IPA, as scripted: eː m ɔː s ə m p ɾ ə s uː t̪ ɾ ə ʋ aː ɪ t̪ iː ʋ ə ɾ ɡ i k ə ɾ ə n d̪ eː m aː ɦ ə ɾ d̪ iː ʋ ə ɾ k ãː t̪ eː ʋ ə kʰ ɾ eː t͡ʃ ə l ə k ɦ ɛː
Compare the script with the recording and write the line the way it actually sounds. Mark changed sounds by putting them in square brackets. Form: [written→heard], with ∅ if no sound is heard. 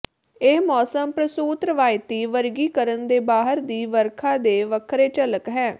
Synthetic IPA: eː m ɔː s ə m p ɾ ə s uː t̪ ɾ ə ʋ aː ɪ t̪ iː ʋ ə ɾ ɡ [i→iː] k ə ɾ ə n d̪ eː [m→b] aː ɦ ə ɾ d̪ iː ʋ ə ɾ [k→kʰ] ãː [t̪→d̪] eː ʋ ə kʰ ɾ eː t͡ʃ ə l ə k ɦ ɛː